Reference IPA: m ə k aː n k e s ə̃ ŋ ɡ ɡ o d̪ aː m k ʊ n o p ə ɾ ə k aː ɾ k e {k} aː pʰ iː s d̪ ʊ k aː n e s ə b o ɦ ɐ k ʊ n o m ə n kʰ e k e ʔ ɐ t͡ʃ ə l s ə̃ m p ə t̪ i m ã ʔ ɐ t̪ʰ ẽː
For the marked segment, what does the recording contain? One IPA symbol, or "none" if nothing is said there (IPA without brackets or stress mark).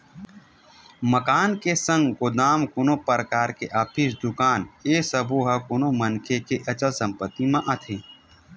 ʔ